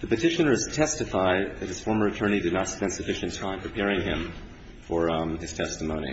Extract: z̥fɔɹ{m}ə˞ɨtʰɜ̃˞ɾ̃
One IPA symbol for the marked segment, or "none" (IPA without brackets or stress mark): m